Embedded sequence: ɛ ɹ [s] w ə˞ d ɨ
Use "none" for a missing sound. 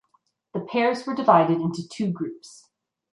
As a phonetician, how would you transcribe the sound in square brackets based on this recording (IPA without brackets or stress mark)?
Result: z